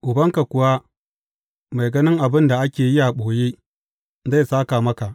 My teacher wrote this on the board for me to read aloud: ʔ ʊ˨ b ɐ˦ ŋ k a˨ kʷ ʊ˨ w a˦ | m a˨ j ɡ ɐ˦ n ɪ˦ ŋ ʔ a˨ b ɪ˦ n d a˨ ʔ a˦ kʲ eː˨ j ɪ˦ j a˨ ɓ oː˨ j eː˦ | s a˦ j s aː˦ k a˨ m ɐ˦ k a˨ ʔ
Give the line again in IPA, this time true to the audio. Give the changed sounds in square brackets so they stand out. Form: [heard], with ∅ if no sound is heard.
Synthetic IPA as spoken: ʔ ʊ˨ b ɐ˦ ŋ k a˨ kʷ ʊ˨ w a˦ | m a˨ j ɡ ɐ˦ n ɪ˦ ŋ ʔ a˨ b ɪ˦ n d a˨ ʔ a˦ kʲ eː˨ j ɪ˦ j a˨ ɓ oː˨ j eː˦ | [z] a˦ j s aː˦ k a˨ m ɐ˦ k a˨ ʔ